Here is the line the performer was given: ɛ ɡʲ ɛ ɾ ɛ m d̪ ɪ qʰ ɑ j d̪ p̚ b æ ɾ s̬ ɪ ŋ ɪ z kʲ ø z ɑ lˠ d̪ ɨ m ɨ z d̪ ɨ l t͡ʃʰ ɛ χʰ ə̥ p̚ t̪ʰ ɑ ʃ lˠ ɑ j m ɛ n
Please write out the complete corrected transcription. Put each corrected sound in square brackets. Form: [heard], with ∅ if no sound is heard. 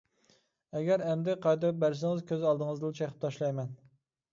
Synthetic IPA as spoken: ɛ ɡʲ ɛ ɾ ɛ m d̪ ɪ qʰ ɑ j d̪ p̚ b æ ɾ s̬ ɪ ŋ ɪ z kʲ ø z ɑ lˠ d̪ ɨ [ŋ] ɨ z d̪ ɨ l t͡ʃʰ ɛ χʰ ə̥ p̚ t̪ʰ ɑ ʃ lˠ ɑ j m ɛ n